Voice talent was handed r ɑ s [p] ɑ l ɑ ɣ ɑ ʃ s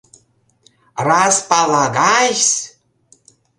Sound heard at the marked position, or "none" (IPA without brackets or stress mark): p